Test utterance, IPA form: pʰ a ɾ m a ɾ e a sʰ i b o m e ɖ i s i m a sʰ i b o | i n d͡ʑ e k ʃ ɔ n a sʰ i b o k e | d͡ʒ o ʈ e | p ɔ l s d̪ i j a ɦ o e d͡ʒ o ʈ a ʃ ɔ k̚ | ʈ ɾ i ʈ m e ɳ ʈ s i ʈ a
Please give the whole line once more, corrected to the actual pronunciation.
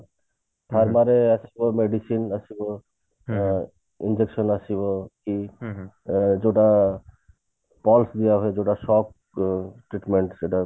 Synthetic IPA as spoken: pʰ a ɾ m a ɾ e a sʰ i b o m e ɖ i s i n a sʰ i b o | i n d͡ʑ e k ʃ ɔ n a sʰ i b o k i | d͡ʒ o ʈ a | p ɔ l s d̪ i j a ɦ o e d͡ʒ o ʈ a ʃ ɔ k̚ | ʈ ɾ i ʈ m e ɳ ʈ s e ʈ a